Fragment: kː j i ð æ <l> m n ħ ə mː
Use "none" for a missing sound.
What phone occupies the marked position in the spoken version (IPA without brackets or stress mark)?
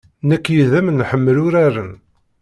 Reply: none